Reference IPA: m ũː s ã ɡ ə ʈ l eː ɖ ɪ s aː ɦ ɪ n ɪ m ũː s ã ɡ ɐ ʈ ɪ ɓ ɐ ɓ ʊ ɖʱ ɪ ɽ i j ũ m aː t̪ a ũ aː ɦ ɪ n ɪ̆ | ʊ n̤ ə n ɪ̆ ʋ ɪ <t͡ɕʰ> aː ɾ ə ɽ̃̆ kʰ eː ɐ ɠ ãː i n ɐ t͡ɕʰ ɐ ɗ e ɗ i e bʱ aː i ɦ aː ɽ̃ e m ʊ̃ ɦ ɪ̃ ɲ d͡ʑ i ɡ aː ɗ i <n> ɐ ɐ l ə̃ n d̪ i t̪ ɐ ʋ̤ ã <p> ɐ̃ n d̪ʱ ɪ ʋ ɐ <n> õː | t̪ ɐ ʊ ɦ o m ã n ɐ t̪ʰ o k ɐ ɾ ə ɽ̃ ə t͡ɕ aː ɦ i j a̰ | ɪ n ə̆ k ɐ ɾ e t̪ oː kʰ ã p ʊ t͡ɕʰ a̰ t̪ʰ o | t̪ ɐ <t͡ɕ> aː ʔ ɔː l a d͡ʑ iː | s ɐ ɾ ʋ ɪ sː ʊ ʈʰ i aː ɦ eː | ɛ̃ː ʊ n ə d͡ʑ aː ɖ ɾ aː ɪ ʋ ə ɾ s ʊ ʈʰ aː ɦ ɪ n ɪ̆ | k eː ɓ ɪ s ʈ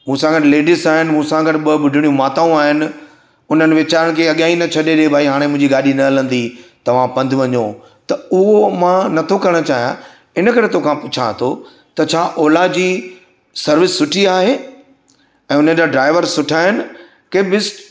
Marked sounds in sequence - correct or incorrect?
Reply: incorrect: t͡ɕ, correct, correct, incorrect: ɲ, incorrect: t͡ɕʰ

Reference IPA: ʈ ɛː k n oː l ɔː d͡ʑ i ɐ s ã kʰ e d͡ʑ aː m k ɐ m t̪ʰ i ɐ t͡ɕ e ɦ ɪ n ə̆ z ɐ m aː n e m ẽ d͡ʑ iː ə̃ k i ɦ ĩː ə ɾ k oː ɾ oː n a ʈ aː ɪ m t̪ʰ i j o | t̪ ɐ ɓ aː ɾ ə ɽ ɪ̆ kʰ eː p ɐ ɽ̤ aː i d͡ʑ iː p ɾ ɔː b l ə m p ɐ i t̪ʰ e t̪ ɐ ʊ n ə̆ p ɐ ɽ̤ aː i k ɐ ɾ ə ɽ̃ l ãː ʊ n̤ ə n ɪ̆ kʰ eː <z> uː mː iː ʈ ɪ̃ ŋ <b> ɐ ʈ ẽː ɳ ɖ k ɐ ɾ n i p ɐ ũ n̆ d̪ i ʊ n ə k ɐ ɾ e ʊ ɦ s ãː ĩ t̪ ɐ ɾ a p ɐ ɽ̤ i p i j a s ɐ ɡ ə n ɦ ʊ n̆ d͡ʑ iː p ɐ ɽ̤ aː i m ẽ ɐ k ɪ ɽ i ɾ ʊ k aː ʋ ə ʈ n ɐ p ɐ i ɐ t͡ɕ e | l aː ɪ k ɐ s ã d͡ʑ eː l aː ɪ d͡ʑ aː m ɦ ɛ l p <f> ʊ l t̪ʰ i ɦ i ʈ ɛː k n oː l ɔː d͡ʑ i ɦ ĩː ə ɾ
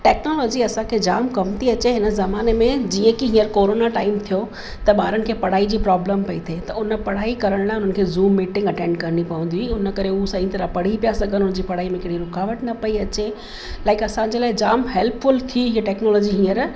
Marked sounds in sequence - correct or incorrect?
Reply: correct, incorrect: ɡ, correct

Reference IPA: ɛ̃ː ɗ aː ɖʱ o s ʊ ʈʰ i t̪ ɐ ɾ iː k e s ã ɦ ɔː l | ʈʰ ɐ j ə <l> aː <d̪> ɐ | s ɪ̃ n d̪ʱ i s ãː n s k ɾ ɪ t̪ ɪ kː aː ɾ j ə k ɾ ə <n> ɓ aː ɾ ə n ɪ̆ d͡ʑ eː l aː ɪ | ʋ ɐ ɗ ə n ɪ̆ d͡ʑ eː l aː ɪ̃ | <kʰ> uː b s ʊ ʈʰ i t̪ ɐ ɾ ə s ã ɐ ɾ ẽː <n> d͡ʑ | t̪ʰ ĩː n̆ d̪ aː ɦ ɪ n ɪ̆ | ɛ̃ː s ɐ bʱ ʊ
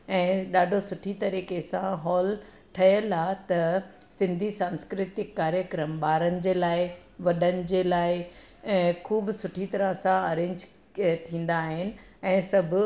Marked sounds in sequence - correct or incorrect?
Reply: correct, incorrect: t̪, incorrect: m, correct, incorrect: ɲ

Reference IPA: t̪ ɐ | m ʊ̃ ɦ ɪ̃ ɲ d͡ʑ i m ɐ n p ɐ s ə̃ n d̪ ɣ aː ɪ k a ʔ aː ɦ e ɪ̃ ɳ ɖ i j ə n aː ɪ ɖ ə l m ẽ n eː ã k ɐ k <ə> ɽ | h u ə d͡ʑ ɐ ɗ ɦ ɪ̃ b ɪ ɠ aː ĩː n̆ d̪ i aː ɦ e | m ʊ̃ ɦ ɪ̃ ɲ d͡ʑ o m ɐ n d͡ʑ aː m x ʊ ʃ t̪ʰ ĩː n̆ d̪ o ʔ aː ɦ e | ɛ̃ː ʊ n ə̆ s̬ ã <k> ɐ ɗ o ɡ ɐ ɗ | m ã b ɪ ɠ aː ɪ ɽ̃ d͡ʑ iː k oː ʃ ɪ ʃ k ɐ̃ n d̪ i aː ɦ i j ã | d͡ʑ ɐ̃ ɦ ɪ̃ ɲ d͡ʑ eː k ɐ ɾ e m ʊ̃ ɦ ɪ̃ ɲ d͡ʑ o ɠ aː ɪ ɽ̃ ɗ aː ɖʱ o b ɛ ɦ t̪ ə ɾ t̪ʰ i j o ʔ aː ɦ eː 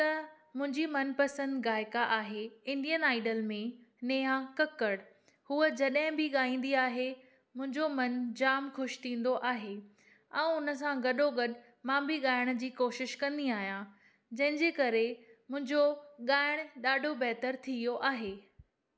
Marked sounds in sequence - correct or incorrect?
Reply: correct, incorrect: ɡ

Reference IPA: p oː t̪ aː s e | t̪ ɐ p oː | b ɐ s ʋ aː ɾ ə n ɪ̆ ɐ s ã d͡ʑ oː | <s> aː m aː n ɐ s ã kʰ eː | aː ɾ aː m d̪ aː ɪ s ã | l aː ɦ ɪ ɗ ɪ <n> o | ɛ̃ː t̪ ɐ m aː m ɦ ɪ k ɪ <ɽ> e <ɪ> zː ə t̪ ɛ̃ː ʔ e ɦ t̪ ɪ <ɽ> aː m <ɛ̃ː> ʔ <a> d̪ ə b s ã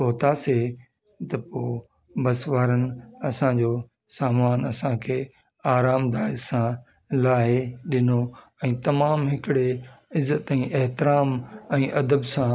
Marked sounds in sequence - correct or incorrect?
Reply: correct, correct, correct, correct, incorrect: ɾ, correct, incorrect: ɐ

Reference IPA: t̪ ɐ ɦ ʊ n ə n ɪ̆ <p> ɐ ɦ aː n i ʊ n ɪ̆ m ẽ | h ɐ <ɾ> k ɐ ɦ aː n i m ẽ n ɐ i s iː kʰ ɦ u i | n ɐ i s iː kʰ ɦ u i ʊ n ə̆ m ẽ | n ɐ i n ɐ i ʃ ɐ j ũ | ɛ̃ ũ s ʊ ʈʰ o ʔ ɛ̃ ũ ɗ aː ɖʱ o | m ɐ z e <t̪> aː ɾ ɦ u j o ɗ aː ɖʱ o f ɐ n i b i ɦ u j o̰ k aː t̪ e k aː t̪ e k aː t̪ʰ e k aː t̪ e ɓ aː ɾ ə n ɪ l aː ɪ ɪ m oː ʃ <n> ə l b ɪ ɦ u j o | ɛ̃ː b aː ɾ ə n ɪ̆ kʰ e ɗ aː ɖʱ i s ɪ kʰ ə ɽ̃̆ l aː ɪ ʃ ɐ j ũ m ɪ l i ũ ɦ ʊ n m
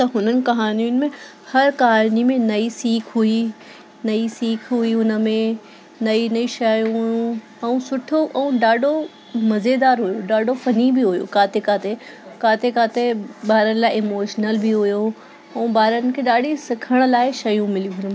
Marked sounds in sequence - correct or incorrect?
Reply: incorrect: k, correct, incorrect: d̪, correct

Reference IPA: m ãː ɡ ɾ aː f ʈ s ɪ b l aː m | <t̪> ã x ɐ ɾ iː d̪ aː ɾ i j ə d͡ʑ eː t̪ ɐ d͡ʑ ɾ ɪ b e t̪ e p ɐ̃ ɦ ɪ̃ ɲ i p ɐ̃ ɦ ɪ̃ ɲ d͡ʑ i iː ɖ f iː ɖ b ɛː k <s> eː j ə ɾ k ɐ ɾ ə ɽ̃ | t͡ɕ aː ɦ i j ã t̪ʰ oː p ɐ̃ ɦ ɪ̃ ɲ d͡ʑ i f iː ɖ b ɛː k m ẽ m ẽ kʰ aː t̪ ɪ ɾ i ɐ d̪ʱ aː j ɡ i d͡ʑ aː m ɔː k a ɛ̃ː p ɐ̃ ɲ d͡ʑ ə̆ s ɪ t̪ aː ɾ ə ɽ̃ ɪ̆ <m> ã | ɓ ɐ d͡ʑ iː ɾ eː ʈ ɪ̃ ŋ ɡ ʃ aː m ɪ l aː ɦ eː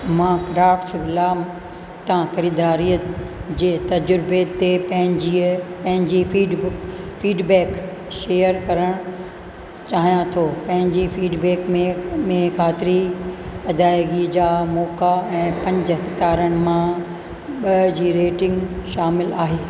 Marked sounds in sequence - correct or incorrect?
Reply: correct, incorrect: ʃ, correct

